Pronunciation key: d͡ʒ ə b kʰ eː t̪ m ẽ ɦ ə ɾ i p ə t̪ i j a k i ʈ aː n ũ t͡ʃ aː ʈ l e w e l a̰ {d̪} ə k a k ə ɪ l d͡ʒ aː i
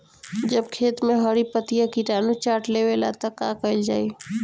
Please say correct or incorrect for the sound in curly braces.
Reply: incorrect